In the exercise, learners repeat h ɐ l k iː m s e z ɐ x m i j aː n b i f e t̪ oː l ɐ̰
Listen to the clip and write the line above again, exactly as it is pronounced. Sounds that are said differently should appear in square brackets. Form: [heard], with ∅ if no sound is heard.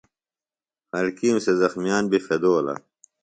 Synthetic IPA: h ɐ l k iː m s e z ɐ x m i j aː n b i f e [d̪] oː l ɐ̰

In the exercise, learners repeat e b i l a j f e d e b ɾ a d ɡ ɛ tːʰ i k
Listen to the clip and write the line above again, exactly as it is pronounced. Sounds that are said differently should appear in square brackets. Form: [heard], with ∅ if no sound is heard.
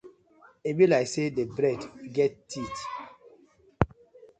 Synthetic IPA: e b i l a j [s] e d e b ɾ [ɛ] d ɡ ɛ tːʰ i [t]

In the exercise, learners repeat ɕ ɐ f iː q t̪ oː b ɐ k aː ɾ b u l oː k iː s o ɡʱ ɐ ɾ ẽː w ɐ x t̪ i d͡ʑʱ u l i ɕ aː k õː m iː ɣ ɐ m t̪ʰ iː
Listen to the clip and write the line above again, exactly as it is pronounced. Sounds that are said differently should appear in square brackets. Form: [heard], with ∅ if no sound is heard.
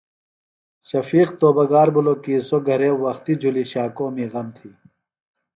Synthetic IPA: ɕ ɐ f iː q t̪ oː b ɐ [ɡ] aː ɾ b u l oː k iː s o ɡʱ ɐ ɾ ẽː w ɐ x t̪ i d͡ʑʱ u l i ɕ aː k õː m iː ɣ ɐ m t̪ʰ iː

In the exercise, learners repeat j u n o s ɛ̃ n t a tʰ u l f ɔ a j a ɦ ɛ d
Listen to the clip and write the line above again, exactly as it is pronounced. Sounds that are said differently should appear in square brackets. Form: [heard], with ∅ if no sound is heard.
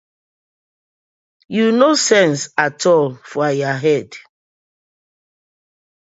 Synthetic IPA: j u n o s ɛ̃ n [s] a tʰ [ɔ] l f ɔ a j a ɦ ɛ d

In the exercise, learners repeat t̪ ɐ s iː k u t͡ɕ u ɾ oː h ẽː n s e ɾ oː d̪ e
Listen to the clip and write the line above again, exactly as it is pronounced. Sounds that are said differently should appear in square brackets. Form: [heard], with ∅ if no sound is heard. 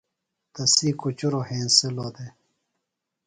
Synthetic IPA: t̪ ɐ s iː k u t͡ɕ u ɾ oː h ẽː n s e [l] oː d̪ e

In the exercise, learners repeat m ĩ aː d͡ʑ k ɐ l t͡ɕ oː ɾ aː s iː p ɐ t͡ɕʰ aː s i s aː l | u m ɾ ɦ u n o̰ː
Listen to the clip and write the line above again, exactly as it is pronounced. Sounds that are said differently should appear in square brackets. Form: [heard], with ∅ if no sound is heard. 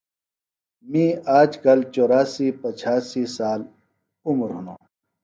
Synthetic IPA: m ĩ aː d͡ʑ k ɐ l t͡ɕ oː ɾ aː s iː p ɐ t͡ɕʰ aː s i s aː l | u m ɾ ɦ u n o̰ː

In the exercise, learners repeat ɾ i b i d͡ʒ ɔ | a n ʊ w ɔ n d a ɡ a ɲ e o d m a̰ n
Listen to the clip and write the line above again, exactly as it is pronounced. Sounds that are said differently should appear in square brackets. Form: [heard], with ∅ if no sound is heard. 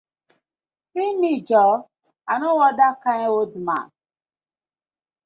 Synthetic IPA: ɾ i [m] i d͡ʒ ɔ | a n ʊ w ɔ [∅] d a [k] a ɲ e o d m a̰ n

